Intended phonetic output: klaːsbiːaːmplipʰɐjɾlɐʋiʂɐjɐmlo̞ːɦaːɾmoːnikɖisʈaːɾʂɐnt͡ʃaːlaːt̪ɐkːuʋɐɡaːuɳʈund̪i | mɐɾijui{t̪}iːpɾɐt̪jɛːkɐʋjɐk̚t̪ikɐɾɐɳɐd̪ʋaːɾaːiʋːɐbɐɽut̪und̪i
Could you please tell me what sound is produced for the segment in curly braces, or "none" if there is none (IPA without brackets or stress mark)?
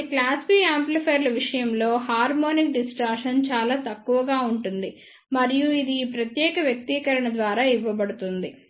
d̪